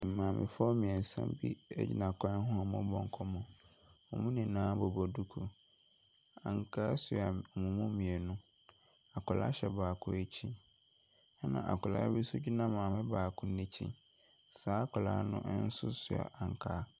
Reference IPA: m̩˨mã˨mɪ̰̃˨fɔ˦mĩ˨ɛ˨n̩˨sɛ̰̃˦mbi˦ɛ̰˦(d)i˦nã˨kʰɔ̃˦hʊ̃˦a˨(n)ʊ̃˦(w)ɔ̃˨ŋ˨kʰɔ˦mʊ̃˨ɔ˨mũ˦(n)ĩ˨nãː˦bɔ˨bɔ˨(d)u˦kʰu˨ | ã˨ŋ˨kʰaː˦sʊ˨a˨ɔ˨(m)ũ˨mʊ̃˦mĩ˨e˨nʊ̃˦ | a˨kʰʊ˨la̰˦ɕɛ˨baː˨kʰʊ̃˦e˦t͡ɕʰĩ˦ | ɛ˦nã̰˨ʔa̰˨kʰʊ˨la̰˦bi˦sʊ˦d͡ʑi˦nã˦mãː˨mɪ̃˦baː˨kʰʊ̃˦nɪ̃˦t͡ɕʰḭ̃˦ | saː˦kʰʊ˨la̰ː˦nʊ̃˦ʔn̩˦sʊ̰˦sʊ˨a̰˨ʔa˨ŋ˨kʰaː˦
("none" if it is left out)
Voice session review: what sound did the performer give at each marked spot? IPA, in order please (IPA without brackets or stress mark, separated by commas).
d͡ʑ, m, b, n, d, m